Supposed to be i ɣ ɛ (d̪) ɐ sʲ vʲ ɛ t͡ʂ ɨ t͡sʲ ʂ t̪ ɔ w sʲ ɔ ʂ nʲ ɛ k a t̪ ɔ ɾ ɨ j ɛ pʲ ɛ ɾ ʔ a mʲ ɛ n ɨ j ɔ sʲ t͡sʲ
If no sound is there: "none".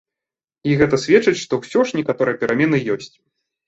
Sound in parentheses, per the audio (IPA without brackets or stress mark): t̪